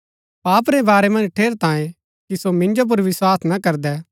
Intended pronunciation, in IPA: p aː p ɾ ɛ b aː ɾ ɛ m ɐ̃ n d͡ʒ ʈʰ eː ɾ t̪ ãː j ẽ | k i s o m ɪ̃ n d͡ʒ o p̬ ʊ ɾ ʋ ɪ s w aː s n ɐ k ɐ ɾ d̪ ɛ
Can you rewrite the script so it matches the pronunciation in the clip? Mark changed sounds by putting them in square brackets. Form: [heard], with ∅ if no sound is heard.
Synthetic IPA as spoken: p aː p ɾ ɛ b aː ɾ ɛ m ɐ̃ n d͡ʒ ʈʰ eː ɾ t̪ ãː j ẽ | k i s o m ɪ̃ n d͡ʒ o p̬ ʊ ɾ ʋ ɪ s w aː s n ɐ k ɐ ɾ d̪ ɛ